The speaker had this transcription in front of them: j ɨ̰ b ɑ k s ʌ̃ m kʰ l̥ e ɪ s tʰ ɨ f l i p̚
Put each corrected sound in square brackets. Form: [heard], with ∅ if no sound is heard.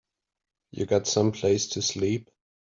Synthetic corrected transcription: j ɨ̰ [ɡ] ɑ [t] s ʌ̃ m [pʰ] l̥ e ɪ s tʰ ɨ [s] l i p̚